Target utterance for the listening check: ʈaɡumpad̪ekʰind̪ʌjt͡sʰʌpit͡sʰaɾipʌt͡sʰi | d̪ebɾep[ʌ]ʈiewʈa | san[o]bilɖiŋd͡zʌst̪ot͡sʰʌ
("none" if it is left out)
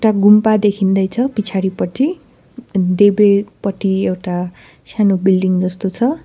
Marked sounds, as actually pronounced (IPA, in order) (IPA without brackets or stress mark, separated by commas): ʌ, o